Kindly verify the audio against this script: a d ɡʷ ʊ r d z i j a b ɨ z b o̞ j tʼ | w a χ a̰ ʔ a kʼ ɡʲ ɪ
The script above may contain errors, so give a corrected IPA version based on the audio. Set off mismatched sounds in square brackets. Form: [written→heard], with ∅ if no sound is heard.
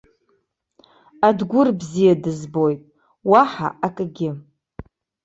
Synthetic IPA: a d ɡʷ ʊ r [d→b] z i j a [b→d] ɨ z b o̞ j tʼ | w a [χ→ħ] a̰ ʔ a kʼ ɡʲ ɪ